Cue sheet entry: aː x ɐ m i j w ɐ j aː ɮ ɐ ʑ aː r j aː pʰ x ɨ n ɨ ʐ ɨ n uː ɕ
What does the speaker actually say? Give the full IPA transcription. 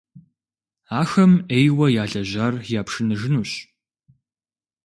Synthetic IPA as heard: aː x ɐ m e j w ɐ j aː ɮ ɐ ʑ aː r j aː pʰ ʂ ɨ n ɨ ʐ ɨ n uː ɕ